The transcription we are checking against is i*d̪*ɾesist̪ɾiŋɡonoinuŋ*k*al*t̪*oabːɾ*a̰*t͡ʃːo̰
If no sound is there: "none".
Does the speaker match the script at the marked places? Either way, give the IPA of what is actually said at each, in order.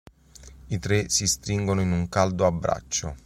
t̪, k, d̪, a̰

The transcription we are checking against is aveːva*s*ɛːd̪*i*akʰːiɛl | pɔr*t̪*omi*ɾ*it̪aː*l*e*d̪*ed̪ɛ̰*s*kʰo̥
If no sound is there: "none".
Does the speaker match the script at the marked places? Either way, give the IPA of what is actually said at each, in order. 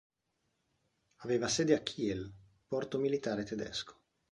s, e, t̪, l, ɾ, t̪, s

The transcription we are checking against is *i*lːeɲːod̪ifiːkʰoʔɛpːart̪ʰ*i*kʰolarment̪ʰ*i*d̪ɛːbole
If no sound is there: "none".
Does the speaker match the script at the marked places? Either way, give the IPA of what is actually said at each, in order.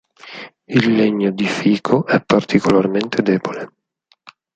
i, i, e

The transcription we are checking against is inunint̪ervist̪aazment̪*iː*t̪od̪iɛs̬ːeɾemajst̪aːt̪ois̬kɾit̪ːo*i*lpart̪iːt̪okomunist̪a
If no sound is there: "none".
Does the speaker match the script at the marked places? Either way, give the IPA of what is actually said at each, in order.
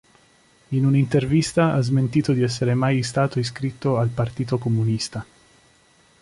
iː, a

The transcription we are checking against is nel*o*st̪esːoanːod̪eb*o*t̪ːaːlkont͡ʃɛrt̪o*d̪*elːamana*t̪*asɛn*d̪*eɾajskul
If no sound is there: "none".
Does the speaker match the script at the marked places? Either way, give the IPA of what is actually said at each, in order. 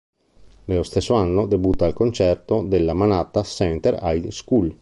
o, u, d̪, t̪, t̪

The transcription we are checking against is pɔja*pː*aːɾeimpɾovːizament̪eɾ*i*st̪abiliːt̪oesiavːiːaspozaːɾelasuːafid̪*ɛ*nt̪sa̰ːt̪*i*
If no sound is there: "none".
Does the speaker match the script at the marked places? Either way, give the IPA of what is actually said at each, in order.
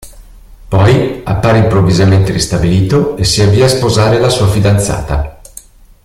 pː, i, a, a

